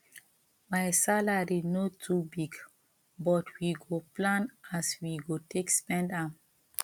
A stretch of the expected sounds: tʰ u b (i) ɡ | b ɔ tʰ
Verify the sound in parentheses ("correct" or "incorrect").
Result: correct